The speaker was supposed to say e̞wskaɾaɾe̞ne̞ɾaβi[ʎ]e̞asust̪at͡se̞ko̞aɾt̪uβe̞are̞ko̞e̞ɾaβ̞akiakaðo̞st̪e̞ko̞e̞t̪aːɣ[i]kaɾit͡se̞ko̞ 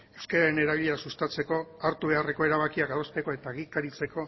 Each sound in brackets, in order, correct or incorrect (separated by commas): correct, correct